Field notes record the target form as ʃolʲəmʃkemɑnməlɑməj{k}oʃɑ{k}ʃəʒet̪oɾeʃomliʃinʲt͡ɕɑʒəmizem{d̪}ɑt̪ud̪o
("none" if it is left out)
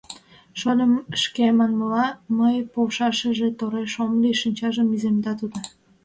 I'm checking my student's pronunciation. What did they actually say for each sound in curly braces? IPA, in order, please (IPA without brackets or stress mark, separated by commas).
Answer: p, none, d̪